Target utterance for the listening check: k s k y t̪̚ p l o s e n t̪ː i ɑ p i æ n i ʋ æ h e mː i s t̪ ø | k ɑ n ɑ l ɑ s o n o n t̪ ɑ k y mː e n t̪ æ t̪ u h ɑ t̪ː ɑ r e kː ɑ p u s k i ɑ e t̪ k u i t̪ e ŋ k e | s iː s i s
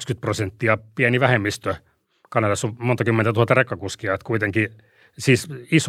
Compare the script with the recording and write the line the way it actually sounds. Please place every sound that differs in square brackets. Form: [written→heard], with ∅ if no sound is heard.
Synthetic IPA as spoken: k s k y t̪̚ p [l→r] o s e n t̪ː i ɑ p i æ n i ʋ æ h e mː i s t̪ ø | k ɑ n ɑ l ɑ s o [n→m] o n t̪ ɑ k y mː e n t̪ æ t̪ u h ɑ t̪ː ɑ r e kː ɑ [p→k] u s k i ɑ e t̪ k u i t̪ e ŋ k [e→i] | s iː s i s